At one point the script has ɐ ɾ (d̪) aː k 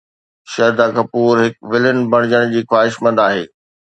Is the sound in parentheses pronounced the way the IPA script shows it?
yes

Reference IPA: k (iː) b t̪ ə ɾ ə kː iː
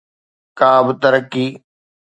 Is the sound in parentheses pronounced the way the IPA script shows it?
no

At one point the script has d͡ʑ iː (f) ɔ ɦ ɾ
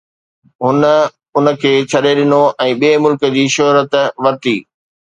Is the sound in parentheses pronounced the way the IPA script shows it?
no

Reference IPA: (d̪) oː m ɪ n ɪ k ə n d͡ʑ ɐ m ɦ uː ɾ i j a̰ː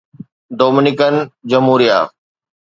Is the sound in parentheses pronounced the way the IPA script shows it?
yes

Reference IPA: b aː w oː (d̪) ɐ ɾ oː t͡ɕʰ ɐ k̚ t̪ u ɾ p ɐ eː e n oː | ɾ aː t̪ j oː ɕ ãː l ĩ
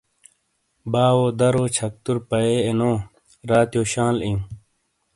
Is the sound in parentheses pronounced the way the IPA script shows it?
yes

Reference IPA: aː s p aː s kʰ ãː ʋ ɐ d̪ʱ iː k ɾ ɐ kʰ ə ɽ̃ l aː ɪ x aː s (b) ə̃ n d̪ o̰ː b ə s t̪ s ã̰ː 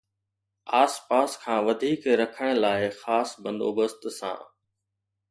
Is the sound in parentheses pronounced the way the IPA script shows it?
yes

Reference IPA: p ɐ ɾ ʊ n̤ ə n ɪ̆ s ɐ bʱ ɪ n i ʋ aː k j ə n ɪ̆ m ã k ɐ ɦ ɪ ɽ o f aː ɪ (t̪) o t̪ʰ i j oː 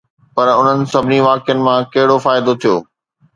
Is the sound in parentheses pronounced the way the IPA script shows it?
no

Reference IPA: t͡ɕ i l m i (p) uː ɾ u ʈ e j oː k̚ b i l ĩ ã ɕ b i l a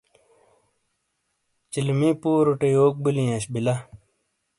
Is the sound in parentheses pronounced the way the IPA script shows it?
yes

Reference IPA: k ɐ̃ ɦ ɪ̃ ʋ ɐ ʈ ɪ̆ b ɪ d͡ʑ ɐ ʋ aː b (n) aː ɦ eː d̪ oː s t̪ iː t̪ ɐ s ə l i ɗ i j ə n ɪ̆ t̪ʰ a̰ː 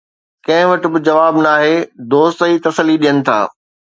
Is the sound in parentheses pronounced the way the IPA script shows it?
yes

